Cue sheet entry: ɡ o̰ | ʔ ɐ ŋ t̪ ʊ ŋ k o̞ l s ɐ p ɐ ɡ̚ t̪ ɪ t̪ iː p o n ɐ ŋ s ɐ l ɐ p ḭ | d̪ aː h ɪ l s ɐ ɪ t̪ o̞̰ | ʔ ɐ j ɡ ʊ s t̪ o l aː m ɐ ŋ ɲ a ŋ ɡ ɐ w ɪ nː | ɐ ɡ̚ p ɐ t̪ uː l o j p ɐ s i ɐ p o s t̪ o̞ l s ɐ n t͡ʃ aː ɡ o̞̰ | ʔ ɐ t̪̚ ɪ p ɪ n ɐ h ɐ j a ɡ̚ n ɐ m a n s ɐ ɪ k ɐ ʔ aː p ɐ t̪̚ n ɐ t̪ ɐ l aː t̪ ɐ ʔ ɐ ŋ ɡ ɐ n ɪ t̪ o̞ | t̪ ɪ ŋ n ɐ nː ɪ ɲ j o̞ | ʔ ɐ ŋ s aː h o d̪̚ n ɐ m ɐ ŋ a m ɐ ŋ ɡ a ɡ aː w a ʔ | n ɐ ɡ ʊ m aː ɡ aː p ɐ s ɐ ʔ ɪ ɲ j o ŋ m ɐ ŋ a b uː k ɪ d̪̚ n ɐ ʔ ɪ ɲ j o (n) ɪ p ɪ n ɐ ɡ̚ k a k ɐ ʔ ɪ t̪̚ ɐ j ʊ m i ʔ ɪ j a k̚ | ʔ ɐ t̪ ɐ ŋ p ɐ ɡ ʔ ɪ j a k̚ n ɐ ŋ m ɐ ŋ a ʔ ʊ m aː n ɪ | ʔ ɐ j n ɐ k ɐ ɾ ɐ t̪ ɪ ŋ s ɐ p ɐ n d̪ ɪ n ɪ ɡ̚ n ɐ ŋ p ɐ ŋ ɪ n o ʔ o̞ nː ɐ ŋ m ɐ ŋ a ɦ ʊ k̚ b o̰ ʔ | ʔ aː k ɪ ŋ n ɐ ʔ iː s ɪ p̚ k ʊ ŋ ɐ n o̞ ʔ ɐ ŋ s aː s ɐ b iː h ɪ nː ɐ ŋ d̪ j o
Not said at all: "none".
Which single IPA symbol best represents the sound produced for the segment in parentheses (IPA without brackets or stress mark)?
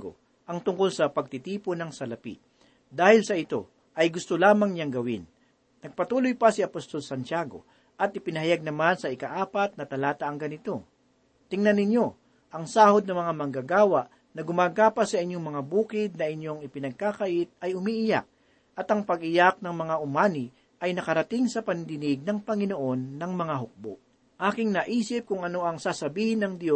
ŋ